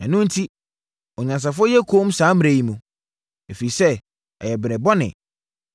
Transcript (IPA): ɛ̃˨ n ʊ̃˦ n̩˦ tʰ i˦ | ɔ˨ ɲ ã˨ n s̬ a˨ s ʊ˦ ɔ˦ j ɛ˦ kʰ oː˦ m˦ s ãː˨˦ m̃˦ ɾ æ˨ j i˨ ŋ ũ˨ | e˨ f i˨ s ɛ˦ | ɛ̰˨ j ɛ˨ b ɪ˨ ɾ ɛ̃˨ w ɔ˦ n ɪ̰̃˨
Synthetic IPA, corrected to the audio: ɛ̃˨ n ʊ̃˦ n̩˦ tʰ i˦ | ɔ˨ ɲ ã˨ n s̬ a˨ f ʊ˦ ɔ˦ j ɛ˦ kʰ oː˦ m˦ s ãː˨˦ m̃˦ ɾ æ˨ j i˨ m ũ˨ | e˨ f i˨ s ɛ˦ | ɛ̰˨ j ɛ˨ b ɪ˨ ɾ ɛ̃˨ b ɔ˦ n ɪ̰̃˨